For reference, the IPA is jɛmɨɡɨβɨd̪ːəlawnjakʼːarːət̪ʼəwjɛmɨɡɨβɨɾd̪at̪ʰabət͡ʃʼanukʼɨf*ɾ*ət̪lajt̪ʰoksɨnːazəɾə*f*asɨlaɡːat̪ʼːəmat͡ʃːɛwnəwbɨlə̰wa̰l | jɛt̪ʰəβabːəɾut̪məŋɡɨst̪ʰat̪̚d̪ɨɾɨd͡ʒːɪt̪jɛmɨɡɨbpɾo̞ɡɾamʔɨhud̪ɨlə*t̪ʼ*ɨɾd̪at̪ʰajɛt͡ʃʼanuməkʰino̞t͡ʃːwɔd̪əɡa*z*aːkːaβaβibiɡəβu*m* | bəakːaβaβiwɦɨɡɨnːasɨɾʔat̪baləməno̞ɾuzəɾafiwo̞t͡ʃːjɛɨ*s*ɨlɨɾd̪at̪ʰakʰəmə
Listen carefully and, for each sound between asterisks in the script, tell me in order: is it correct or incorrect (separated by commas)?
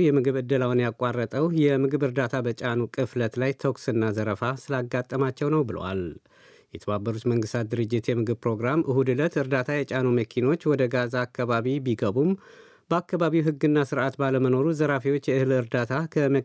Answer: incorrect, correct, incorrect, correct, correct, incorrect